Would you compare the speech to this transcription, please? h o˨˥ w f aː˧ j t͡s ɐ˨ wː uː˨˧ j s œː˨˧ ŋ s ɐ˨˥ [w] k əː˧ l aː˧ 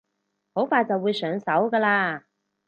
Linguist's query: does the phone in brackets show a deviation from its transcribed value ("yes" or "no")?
no